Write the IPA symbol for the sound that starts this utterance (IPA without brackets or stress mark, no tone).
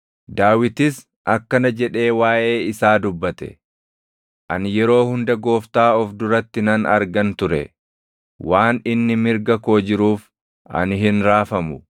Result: d̪